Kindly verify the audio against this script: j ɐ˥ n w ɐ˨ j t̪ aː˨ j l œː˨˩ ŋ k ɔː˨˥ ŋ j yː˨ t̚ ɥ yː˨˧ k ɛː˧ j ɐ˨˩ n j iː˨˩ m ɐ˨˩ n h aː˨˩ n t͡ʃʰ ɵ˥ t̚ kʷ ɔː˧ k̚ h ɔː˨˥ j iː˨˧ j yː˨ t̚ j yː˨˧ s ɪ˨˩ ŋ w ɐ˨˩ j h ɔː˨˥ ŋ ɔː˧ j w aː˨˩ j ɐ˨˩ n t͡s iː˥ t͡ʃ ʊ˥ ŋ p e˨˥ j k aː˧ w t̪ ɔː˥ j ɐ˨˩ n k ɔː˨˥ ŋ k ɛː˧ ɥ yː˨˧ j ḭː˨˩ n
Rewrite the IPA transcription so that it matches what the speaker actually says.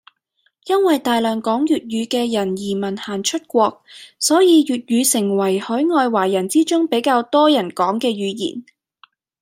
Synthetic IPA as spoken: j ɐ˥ n w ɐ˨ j t̪ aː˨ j l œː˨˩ ŋ k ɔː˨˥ ŋ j yː˨ t̚ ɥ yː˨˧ k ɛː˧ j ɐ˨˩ n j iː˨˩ m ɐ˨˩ n h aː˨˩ n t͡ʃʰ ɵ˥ t̚ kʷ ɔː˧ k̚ s ɔː˨˥ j iː˨˧ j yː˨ t̚ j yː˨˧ s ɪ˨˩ ŋ w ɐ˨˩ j h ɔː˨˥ ŋ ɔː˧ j w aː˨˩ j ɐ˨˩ n t͡s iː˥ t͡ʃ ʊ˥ ŋ p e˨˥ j k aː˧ w t̪ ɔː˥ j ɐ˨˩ n k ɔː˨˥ ŋ k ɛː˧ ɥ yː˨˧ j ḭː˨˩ n

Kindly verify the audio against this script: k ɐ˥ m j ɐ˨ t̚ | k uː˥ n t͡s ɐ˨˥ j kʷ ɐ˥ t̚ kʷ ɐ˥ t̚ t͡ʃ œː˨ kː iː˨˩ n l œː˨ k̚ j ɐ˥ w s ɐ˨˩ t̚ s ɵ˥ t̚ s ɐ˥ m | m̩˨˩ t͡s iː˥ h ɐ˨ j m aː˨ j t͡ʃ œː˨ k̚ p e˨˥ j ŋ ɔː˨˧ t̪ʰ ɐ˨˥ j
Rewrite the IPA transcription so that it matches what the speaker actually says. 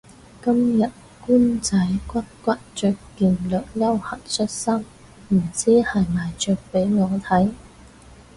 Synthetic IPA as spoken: k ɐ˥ m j ɐ˨ t̚ | k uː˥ n t͡s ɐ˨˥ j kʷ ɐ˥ t̚ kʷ ɐ˥ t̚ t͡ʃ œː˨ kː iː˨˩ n l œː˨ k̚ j ɐ˥ w h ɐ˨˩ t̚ s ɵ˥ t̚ s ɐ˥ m | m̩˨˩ t͡s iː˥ h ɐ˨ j m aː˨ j t͡ʃ œː˨ k̚ p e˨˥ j ŋ ɔː˨˧ t̪ʰ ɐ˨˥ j

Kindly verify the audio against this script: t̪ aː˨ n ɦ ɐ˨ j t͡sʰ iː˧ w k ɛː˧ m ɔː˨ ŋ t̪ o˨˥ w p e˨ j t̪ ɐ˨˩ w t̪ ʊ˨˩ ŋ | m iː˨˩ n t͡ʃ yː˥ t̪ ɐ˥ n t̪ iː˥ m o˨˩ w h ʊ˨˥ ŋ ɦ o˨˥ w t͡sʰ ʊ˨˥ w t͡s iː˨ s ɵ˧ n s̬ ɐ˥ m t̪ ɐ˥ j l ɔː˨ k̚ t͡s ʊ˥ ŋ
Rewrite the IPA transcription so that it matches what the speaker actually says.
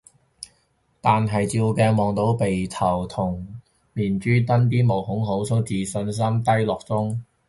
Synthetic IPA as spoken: t̪ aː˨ n ɦ ɐ˨ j t͡s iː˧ w k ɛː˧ m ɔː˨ ŋ t̪ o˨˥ w p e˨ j t̪ʰ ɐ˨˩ w t̪ʰ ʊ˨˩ ŋ | m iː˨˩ n t͡ʃ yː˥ t̪ ɐ˥ n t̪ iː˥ m o˨˩ w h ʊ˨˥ ŋ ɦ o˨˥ w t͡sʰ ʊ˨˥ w t͡s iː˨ s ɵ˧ n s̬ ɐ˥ m t̪ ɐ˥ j l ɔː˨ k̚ t͡s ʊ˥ ŋ

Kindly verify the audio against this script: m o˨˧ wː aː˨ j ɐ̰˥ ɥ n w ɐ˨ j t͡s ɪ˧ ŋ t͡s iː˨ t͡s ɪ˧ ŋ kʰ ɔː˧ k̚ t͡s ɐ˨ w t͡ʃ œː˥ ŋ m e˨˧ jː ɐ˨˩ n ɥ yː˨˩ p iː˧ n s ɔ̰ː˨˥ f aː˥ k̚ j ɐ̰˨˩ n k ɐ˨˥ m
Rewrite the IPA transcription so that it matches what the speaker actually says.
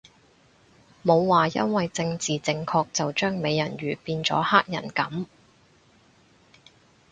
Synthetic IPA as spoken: m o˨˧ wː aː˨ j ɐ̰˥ n w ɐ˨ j t͡s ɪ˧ ŋ t͡s iː˨ t͡s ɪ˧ ŋ kʰ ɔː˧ k̚ t͡s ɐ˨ w t͡ʃ œː˥ ŋ m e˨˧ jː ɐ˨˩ n ɥ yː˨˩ p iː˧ n t͡s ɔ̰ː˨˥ h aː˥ k̚ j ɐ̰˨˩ n k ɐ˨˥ m

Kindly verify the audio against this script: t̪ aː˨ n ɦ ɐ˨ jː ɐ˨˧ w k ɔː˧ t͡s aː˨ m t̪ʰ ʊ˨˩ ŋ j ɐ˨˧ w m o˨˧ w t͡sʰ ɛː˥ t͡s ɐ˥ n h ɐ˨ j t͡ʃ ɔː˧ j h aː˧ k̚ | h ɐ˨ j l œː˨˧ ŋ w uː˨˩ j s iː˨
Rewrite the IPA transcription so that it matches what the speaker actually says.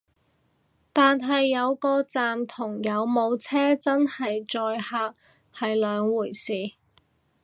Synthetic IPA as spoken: t̪ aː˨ n ɦ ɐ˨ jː ɐ˨˧ w k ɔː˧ t͡s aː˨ m t̪ʰ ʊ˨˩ ŋ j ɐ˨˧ w m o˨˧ w t͡sʰ ɛː˥ t͡s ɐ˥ n h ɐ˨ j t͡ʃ ɔː˧ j h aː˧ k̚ | h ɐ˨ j l œː˨˧ ŋ w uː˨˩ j s iː˨

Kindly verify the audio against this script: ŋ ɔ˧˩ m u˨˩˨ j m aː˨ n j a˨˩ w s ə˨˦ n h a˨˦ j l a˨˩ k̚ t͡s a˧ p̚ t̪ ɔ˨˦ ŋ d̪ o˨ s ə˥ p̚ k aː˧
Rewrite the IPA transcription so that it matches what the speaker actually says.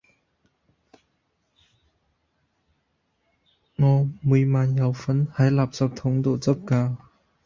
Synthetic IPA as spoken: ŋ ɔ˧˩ m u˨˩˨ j m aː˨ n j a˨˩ w f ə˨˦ n h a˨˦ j l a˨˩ p̚ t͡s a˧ p̚ t̪ʰ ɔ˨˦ ŋ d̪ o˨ t͡s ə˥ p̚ k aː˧

